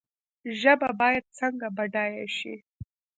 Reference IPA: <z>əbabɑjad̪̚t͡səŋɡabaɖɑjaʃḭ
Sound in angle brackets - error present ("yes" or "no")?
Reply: yes